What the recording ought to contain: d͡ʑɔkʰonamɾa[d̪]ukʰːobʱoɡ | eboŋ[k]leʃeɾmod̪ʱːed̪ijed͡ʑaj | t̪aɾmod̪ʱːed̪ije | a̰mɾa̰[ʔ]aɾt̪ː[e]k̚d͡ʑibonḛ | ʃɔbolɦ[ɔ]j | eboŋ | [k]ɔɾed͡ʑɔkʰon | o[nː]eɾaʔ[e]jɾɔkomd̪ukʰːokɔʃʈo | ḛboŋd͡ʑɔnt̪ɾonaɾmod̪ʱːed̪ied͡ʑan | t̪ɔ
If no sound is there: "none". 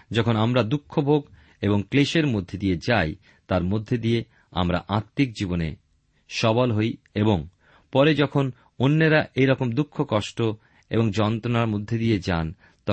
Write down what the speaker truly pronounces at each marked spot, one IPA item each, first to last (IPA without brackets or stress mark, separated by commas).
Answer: d̪, k, ʔ, i, o, p, nː, e